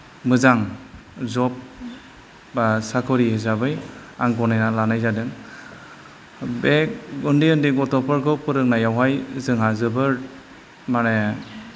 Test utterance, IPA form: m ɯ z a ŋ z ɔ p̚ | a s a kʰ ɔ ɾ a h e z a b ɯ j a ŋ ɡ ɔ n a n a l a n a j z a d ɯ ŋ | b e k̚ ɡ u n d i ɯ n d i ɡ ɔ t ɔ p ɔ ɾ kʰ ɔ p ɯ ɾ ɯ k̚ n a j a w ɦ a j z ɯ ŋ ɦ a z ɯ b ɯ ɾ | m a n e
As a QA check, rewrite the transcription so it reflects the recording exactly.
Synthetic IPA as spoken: m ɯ z a ŋ z ɔ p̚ | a s a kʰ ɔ ɾ i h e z a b ɯ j a ŋ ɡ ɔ n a n a l a n a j z a d ɯ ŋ | b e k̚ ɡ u n d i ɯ n d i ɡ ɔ t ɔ p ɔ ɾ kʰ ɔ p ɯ ɾ ɯ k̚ n a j a w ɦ a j z ɯ ŋ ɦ a z ɯ b ɯ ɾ | m a n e